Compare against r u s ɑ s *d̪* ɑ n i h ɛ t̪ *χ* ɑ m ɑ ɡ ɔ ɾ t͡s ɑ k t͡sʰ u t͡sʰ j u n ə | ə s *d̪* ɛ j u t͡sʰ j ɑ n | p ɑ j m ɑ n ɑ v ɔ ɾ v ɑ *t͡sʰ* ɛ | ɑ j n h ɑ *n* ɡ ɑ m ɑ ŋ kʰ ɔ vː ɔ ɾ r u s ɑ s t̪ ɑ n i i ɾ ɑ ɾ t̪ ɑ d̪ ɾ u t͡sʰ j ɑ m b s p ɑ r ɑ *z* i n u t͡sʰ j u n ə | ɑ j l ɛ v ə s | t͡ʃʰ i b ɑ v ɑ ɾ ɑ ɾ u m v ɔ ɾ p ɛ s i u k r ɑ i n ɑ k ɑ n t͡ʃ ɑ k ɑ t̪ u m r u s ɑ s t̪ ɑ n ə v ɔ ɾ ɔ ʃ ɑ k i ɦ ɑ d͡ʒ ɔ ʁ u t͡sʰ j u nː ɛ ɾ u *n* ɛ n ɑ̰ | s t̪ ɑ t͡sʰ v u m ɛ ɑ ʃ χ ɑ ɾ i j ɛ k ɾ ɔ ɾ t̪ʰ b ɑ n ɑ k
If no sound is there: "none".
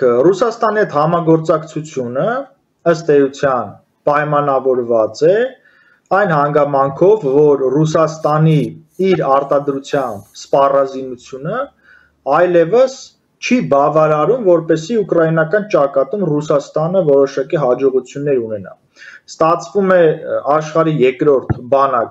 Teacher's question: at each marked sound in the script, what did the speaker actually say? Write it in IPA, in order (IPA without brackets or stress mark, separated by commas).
t̪, h, t̪, t͡s, ŋ, z, n